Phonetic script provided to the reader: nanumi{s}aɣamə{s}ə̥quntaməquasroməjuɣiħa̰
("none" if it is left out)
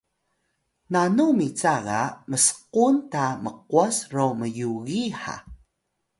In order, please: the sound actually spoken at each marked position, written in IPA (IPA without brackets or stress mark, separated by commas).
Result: t͡s, s